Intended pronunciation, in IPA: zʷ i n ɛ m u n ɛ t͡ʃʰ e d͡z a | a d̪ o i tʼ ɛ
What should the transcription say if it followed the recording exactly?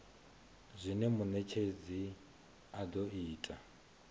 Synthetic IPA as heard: zʷ i n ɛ m u n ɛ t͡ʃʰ e d͡z i | a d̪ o iː tʼ a